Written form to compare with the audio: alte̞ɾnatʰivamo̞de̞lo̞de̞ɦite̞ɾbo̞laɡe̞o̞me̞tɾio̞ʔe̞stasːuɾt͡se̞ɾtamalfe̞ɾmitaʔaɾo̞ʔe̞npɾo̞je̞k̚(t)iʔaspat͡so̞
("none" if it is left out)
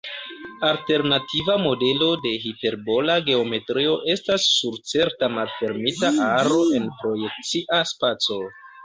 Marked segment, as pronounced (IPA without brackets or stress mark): t͡s